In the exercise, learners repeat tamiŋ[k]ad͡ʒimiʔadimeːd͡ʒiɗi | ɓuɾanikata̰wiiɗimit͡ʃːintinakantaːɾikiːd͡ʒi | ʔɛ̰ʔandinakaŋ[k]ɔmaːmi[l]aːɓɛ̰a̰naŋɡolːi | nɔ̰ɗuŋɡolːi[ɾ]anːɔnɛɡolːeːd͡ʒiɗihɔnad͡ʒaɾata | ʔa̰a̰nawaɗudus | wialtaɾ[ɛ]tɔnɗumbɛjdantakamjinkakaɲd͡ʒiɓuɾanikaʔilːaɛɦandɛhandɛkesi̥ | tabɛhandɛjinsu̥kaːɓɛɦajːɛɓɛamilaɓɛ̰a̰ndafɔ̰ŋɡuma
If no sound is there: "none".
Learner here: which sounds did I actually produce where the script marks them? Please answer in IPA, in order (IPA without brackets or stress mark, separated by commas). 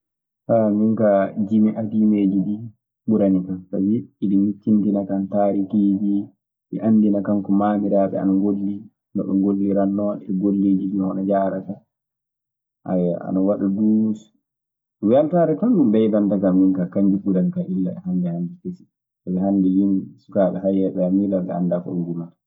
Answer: k, k, ɾ, ɾ, ɛ